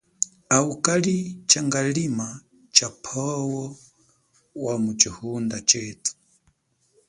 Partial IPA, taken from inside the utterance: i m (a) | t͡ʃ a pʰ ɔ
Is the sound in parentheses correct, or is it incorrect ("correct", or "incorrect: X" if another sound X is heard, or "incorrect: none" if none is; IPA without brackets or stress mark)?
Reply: correct